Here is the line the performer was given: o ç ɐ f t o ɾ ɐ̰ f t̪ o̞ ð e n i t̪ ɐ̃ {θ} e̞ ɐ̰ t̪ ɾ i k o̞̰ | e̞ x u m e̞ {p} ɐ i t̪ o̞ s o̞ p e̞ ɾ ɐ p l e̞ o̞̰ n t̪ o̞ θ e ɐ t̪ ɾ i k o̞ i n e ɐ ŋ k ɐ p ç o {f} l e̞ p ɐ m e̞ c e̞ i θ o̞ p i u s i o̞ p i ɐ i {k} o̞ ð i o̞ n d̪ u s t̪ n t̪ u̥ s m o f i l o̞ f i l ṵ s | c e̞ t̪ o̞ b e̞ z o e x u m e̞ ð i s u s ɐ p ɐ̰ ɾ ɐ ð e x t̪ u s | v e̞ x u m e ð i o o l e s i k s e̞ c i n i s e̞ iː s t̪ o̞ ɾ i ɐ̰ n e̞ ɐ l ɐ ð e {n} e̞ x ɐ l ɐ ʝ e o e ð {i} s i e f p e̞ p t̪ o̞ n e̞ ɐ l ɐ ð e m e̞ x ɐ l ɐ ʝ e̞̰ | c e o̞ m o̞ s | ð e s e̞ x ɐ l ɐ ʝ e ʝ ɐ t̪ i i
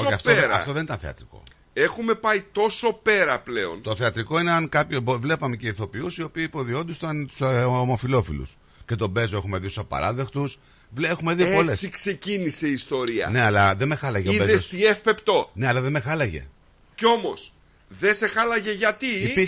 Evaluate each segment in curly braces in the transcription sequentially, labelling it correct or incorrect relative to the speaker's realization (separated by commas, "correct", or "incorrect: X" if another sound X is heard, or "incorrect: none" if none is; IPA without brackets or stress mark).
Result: correct, correct, incorrect: v, incorrect: p, incorrect: m, incorrect: e